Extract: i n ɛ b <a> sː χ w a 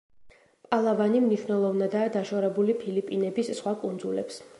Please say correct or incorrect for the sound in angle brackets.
incorrect